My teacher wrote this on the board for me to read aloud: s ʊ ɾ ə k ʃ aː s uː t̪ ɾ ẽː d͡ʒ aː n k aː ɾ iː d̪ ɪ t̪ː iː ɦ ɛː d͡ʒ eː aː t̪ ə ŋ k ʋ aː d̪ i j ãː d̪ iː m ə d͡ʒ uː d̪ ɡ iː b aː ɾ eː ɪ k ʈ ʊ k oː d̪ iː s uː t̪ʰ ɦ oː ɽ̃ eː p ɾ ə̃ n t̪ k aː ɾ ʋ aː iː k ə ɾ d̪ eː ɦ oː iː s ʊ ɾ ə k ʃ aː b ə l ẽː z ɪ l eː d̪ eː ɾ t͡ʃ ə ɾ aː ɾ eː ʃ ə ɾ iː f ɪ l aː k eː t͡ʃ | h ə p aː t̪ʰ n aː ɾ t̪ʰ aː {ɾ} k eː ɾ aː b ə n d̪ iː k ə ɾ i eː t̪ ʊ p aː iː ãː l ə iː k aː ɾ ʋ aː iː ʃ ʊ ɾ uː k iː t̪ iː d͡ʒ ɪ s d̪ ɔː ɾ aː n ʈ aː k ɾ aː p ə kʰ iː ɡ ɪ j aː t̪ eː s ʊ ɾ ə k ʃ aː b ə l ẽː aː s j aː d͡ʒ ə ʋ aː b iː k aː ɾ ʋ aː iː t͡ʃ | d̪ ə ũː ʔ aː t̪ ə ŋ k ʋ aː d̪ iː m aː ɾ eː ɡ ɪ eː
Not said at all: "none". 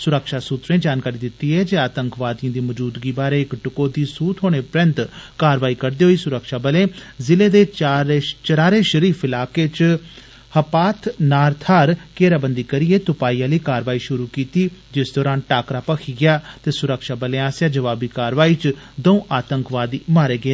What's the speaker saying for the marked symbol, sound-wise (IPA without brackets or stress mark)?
ɾ